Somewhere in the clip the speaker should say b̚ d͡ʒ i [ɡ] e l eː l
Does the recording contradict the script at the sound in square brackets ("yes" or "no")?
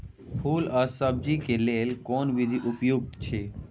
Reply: yes